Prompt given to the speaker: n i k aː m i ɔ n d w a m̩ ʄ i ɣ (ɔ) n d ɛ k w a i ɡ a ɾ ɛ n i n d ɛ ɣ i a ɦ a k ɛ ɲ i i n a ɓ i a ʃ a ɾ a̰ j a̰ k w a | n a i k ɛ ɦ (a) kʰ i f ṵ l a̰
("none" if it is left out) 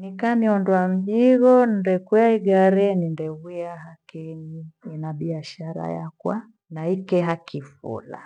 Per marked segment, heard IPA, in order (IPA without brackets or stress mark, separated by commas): ɔ, a